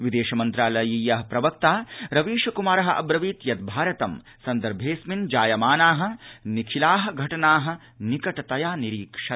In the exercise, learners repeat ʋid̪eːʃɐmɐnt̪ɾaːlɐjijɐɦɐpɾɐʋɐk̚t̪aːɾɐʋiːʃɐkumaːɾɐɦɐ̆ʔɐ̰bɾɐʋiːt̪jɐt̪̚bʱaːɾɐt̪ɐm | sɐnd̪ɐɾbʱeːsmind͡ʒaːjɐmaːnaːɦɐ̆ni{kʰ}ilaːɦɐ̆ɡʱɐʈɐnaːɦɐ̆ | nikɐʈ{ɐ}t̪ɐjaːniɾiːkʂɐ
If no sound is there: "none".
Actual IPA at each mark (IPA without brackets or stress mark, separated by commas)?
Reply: kʰ, ɐ